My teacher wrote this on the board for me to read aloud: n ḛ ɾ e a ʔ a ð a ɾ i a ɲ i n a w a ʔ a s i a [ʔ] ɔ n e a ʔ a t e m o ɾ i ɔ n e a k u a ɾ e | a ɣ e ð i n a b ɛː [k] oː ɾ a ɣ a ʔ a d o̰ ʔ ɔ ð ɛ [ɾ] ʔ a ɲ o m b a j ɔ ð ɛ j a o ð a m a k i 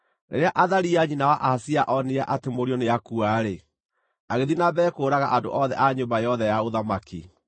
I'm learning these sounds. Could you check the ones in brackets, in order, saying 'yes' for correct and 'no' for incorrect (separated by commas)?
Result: yes, yes, no